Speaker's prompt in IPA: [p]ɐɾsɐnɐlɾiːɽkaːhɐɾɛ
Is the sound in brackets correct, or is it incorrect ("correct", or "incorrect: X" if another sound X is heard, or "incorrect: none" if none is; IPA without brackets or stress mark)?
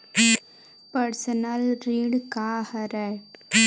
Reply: correct